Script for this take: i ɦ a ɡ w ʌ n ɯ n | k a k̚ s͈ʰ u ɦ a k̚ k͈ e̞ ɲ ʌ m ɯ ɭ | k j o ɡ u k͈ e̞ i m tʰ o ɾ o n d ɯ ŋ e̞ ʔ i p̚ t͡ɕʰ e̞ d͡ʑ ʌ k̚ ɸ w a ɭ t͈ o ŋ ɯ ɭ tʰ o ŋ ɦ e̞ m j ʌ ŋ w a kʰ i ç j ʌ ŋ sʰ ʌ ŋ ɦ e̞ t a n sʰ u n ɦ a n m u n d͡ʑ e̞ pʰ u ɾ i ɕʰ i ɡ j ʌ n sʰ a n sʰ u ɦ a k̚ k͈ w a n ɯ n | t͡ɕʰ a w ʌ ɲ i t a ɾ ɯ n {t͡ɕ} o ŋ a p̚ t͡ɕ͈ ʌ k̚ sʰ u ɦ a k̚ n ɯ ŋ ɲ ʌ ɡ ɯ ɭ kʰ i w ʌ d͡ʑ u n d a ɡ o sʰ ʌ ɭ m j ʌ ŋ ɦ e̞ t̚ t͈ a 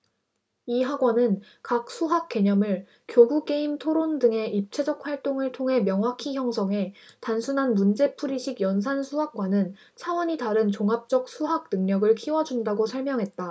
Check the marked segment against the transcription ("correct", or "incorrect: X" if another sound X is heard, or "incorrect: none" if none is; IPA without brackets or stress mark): correct